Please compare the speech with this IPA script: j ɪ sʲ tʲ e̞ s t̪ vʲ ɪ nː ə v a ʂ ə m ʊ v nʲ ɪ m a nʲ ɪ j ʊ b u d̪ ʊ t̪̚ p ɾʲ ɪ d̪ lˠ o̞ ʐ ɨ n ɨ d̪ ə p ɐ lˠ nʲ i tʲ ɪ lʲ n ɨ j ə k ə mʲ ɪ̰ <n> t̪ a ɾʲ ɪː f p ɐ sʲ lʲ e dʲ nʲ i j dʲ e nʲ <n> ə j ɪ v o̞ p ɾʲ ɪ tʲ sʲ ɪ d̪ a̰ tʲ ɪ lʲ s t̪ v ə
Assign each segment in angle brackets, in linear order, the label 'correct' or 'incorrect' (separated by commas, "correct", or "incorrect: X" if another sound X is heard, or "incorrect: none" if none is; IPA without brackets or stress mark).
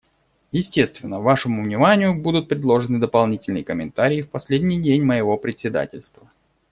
correct, incorrect: m